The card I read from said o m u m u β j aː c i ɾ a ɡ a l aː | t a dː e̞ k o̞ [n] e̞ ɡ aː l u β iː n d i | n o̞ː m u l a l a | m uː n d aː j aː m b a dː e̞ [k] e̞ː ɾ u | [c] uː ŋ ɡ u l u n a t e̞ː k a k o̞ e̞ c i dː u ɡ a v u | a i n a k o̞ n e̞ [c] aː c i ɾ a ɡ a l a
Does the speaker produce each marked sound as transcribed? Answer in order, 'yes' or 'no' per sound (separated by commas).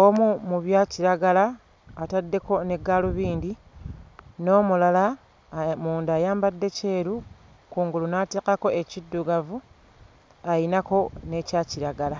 yes, no, no, yes